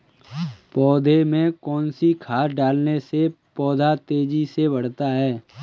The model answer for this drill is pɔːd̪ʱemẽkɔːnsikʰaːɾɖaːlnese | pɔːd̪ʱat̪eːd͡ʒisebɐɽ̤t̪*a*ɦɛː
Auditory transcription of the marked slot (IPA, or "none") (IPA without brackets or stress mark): a